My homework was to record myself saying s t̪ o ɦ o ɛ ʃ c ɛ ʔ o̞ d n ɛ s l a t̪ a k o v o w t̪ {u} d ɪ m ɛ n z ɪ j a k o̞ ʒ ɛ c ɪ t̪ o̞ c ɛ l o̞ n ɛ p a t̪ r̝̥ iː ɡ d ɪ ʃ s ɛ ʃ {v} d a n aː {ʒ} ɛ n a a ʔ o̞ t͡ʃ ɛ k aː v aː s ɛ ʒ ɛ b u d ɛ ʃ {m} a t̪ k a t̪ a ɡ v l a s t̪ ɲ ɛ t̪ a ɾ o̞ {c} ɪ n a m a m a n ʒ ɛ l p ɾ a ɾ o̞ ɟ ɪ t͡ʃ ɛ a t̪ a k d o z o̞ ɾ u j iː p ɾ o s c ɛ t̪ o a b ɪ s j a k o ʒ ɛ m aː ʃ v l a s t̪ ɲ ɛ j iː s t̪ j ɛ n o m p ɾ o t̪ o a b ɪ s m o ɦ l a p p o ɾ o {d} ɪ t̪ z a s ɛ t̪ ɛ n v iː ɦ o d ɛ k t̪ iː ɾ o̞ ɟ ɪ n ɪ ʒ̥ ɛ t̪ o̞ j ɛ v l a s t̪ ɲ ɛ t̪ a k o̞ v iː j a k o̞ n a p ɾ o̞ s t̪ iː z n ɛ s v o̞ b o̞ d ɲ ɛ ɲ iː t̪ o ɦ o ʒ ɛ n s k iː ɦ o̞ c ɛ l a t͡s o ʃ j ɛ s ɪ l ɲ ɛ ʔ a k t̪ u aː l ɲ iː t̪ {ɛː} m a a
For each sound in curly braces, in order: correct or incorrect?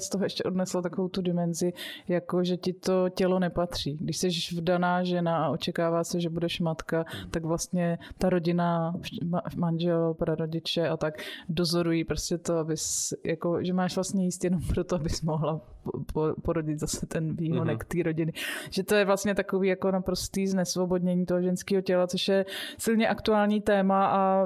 correct, correct, correct, correct, incorrect: ɟ, incorrect: ɟ, correct

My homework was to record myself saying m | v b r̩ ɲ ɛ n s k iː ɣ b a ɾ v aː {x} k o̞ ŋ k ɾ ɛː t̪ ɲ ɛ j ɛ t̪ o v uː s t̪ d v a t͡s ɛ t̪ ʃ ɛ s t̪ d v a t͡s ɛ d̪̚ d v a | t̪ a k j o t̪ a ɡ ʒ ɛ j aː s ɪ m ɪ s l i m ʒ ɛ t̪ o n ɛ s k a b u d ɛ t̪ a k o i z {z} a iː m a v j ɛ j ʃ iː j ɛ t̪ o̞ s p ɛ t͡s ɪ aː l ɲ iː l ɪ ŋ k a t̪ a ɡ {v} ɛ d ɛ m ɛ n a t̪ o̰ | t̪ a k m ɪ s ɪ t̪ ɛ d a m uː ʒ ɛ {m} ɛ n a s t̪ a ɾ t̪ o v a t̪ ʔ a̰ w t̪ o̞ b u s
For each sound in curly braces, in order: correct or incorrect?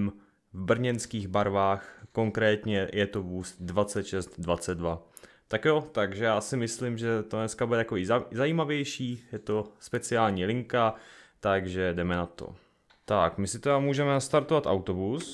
correct, correct, incorrect: ʒ, correct

